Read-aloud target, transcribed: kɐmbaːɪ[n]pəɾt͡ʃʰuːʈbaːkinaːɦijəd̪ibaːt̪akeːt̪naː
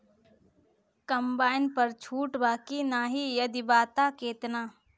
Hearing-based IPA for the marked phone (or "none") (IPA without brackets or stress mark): n